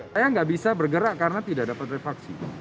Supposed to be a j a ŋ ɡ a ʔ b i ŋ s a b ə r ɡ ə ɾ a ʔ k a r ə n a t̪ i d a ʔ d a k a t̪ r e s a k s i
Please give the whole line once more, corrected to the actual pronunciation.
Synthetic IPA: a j a ŋ ɡ a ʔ b i s a b ə r ɡ ə ɾ a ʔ k a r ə n a t̪ i d a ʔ d a p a t̪ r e f a k s i